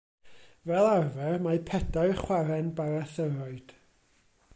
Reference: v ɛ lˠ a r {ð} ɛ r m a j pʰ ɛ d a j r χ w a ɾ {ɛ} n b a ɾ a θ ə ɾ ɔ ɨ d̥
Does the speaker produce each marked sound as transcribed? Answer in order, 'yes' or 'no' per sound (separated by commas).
no, yes